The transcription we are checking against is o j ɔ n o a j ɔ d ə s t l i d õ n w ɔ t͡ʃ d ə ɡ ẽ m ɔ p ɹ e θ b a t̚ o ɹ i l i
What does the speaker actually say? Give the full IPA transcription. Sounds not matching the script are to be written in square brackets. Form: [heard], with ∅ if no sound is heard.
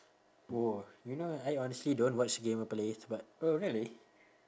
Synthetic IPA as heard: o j [u] n o a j ɔ [n] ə s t l i d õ n w ɔ t͡ʃ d ə ɡ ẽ m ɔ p [l] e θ b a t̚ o ɹ i l i

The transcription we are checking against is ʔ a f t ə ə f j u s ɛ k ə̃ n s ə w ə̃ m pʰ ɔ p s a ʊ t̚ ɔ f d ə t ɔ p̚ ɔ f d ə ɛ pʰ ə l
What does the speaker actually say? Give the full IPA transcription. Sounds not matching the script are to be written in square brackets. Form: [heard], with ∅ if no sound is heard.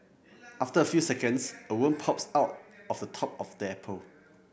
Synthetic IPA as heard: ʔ a f t ə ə f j u s ɛ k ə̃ n s ə w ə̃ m pʰ ɔ p s a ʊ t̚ ɔ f d ə [tʰ] ɔ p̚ ɔ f d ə ɛ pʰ ə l

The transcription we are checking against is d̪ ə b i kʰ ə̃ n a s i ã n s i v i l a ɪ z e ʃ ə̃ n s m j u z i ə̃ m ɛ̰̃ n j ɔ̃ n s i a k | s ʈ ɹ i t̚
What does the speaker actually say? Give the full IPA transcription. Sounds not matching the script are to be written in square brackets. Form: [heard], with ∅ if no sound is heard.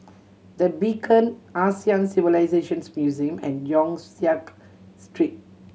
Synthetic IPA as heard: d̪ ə b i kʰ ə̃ n a s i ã n s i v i l a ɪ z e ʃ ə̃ n s m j u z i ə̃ m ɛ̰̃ n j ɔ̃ [ŋ] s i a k | s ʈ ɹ i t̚

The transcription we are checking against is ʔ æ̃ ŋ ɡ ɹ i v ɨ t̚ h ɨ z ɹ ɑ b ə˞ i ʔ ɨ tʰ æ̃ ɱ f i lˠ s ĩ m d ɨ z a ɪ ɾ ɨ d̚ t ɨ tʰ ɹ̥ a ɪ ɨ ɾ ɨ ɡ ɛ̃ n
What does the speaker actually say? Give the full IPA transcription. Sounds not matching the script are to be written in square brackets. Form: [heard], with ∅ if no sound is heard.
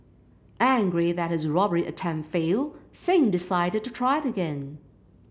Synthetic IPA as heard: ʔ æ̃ ŋ ɡ ɹ i [ð] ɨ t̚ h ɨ z ɹ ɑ b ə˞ i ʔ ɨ tʰ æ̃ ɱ f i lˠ s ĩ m d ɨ [s] a ɪ ɾ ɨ d̚ t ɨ tʰ ɹ̥ a ɪ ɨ ɾ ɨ ɡ ɛ̃ n

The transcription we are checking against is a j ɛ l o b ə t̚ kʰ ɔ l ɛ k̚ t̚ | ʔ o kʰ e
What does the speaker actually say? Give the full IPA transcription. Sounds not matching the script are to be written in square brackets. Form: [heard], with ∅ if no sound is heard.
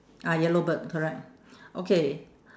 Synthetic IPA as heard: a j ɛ l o b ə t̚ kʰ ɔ [ɹ] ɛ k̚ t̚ | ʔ o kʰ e

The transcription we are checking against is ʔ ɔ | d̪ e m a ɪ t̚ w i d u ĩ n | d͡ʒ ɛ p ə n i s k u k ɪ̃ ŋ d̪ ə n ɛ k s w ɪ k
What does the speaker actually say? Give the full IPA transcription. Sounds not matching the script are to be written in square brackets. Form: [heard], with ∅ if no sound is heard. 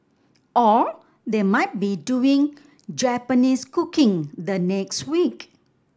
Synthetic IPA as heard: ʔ ɔ | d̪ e m a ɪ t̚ [b] i d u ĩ [ŋ] | d͡ʒ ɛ p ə n i s k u k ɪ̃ ŋ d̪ ə n ɛ k s w [i] k

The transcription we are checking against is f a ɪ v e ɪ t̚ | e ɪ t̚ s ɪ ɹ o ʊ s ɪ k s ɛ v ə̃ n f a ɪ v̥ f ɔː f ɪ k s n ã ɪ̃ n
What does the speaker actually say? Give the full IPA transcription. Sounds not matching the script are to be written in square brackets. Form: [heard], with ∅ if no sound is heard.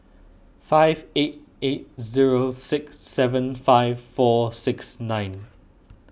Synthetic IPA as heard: f a ɪ v e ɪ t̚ | e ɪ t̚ [z] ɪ ɹ o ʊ s ɪ k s ɛ v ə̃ n f a ɪ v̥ f ɔː [s] ɪ k s n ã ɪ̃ n

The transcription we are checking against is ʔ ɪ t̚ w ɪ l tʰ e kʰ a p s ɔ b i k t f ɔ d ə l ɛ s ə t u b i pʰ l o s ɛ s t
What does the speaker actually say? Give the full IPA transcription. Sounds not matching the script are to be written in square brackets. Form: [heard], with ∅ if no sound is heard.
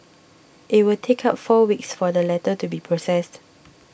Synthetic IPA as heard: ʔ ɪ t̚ w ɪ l tʰ e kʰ a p [f] ɔ [w] i k [s] f ɔ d ə l ɛ [t] ə t u b i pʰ [ɹ] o s ɛ s t

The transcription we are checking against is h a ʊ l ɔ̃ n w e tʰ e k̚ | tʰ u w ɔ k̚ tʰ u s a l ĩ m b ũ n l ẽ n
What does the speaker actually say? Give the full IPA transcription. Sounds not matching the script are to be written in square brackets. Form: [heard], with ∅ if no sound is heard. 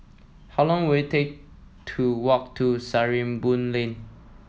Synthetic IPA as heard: h a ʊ l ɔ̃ [ŋ] w e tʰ e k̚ | tʰ u w ɔ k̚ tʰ u s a [ɹ] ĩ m b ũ n l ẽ n

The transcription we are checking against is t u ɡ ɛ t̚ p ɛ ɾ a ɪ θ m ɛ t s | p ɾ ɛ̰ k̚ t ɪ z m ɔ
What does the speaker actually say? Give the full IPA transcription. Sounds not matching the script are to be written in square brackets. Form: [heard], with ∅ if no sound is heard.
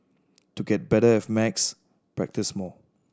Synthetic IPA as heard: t u ɡ ɛ t̚ [b] ɛ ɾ [ə] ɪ [f] m ɛ [k] s | p [ɹ] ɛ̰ k̚ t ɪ [s] m ɔ

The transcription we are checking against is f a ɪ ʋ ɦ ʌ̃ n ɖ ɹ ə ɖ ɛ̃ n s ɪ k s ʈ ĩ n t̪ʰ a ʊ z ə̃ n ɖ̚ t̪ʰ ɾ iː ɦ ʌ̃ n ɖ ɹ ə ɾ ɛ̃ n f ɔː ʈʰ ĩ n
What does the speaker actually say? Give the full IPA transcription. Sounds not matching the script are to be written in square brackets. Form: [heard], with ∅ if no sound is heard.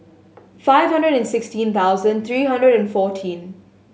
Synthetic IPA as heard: f a ɪ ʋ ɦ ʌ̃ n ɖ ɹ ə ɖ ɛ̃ n s ɪ k s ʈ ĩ n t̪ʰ a ʊ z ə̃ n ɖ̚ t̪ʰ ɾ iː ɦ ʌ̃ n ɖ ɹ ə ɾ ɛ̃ n f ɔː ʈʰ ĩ n

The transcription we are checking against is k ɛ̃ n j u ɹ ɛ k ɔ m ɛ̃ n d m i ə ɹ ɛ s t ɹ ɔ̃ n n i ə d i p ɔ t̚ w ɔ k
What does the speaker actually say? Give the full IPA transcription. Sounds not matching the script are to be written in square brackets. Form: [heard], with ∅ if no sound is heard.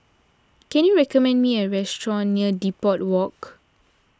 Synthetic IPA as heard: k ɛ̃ n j u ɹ ɛ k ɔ m ɛ̃ n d m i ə ɹ ɛ s t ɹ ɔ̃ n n i ə d i p ɔ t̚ w ɔ k

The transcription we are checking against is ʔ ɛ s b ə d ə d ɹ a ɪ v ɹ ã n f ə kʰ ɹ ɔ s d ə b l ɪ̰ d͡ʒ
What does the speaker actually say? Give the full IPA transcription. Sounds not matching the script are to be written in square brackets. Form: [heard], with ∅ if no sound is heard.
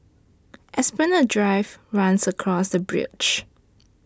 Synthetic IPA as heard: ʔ ɛ s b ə [n] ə d ɹ a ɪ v ɹ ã n [s] ə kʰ ɹ ɔ s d ə b [ɹ] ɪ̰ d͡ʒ

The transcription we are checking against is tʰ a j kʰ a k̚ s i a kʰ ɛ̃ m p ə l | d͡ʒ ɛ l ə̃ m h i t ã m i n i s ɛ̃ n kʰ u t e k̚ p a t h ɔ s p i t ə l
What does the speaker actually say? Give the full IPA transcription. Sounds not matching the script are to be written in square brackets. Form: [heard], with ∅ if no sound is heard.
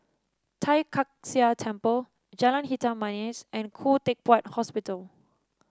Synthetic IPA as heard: tʰ a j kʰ a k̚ s i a [tʰ] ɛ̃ m p ə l | d͡ʒ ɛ l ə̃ [n] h i t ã m [a] n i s ɛ̃ n kʰ u t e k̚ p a t h ɔ s p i t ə l

